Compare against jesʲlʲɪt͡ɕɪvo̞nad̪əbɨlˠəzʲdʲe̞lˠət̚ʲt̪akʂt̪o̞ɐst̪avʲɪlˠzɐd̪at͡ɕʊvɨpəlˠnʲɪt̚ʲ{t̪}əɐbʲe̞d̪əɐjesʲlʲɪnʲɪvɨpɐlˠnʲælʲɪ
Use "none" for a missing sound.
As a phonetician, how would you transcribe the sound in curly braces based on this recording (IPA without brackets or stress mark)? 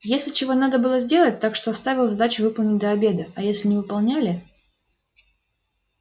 d̪